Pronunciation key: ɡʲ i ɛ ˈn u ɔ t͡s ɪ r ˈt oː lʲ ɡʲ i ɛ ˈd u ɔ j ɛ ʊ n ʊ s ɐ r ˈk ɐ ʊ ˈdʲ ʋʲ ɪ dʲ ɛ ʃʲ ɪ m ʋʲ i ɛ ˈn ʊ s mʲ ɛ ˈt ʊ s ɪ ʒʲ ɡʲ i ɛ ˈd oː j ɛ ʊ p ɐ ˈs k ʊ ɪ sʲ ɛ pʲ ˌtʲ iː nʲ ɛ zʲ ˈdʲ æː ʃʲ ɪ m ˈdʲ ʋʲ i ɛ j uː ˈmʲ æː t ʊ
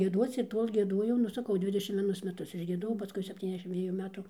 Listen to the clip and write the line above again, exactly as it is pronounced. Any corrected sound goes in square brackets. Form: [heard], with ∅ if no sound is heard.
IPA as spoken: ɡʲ i ɛ [ˈd] u ɔ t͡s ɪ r ˈt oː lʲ ɡʲ i ɛ ˈd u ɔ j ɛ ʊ n ʊ s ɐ [∅] ˈk ɐ ʊ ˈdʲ ʋʲ ɪ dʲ ɛ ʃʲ ɪ m ʋʲ i ɛ ˈn ʊ s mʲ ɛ ˈt ʊ s ɪ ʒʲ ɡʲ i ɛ ˈd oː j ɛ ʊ p ɐ ˈs k ʊ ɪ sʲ ɛ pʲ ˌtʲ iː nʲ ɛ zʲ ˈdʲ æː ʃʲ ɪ m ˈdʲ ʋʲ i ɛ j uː ˈmʲ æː t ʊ